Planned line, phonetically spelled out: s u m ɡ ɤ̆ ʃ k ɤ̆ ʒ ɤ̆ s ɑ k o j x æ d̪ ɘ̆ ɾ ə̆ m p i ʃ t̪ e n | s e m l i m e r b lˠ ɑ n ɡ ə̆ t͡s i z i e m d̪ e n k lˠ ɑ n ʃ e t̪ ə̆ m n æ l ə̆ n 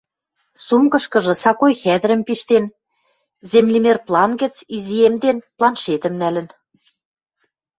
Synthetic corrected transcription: s u m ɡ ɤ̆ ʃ k ɤ̆ ʒ ɤ̆ s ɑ k o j x æ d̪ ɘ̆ ɾ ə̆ m p i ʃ t̪ e n | z e m l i m e r p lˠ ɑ n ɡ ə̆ t͡s i z i e m d̪ e n p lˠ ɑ n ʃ e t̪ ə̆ m n æ l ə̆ n